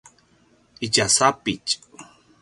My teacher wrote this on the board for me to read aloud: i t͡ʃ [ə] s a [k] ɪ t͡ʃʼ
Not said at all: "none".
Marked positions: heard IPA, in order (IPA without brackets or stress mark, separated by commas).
a, p